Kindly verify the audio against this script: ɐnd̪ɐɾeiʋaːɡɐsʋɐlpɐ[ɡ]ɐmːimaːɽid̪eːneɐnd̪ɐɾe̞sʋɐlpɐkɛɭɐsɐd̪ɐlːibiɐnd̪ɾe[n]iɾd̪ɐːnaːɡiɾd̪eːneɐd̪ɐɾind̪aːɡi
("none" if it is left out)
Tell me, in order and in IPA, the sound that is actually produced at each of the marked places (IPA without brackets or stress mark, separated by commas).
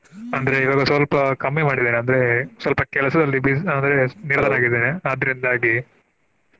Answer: k, n